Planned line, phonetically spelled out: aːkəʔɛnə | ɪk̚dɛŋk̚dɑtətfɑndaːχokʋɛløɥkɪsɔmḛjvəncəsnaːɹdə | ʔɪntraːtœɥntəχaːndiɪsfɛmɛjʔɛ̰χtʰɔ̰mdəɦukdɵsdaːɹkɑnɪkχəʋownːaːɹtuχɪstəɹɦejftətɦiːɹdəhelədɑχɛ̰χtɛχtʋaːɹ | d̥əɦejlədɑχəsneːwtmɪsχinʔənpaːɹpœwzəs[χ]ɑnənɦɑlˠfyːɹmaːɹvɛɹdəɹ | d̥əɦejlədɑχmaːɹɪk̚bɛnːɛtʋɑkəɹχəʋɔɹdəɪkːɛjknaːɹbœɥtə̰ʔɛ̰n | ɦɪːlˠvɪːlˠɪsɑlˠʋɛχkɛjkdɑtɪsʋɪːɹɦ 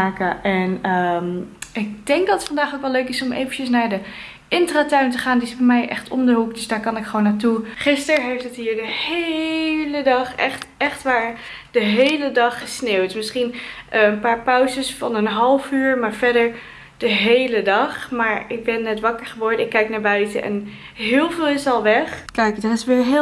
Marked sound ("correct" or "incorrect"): incorrect